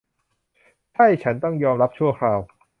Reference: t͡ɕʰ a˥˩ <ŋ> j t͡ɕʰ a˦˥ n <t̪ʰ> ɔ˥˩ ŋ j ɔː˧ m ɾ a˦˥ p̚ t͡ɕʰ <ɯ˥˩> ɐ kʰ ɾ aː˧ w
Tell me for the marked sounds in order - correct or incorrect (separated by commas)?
incorrect, incorrect, incorrect